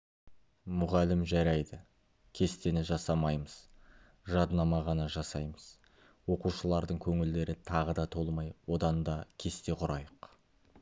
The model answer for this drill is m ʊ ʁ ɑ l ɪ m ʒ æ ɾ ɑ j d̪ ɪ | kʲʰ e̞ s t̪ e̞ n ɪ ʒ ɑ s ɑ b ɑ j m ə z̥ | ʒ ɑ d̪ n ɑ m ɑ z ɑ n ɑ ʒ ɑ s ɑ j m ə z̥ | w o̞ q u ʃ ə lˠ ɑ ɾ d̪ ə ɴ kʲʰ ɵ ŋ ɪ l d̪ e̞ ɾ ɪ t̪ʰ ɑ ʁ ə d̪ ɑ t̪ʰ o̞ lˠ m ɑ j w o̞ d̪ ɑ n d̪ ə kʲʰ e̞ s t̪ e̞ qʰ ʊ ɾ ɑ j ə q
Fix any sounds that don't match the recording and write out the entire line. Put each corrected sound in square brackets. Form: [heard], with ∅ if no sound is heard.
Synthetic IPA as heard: m ʊ ʁ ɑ l ɪ m ʒ æ ɾ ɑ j d̪ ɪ | kʲʰ e̞ s t̪ e̞ n ɪ ʒ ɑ s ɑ [m] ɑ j m ə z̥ | ʒ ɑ d̪ n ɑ m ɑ [ʁ] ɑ n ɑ ʒ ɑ s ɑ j m ə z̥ | w o̞ q u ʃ ə lˠ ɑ ɾ d̪ ə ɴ kʲʰ ɵ ŋ ɪ l d̪ e̞ ɾ ɪ t̪ʰ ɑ ʁ ə d̪ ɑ t̪ʰ o̞ lˠ m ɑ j w o̞ d̪ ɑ n d̪ [ɑ] kʲʰ e̞ s t̪ e̞ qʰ ʊ ɾ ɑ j ə q